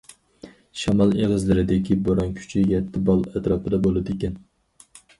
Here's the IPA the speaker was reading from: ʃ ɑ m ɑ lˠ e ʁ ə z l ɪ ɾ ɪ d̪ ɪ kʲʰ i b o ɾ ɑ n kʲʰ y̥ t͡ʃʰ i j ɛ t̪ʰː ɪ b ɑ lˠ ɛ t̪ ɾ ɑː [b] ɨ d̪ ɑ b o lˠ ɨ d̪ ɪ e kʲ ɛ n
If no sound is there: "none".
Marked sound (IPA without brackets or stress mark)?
p